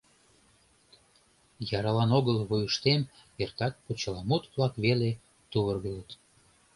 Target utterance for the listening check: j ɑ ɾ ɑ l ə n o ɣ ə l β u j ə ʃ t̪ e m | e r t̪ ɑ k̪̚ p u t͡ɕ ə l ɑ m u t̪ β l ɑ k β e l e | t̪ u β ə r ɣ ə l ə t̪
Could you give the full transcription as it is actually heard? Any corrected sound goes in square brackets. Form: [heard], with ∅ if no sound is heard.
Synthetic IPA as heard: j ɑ ɾ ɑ l [ɑ] n o ɣ ə l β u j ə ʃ t̪ e m | e r t̪ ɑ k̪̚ p u t͡ɕ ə l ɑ m u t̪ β l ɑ k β e l e | t̪ u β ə r ɣ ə l ə t̪